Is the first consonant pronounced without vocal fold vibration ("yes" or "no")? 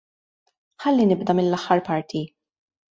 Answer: yes